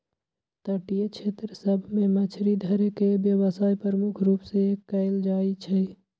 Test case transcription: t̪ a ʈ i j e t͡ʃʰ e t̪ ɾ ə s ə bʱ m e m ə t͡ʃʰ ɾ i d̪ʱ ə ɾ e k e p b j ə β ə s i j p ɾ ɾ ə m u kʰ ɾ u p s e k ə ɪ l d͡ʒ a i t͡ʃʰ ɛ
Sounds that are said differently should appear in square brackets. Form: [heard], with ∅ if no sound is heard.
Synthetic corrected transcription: t̪ [ə] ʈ i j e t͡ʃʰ e t̪ ɾ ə s ə bʱ m e m ə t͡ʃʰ ɾ i d̪ʱ ə ɾ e k e [∅] b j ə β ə s [a] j p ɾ ɾ ə m u kʰ ɾ u p s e k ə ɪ l d͡ʒ a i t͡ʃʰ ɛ